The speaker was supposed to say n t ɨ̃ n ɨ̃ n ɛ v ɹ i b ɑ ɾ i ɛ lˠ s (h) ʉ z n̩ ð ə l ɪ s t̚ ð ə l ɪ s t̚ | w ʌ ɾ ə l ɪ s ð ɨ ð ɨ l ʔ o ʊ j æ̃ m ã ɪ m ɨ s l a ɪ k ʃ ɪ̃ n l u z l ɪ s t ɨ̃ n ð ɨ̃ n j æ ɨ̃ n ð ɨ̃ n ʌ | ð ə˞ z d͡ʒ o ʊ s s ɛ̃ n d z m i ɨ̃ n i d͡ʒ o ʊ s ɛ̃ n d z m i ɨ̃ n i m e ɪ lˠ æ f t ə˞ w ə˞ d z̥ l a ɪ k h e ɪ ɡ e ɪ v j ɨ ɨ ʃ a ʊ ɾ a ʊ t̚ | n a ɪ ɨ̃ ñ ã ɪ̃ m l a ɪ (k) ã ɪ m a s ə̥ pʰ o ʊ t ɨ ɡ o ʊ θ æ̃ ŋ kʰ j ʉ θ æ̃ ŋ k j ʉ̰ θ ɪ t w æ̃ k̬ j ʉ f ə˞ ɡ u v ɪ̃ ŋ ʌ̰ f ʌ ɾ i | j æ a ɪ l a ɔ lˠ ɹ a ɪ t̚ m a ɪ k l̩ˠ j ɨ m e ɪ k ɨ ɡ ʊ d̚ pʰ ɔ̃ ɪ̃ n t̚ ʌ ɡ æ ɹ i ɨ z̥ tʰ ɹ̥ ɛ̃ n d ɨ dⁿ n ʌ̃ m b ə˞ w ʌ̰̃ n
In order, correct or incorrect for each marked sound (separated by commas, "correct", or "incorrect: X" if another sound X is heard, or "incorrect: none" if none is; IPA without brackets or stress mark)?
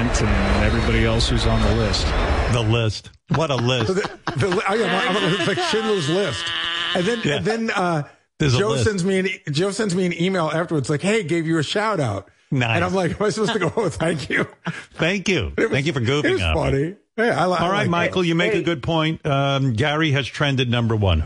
correct, correct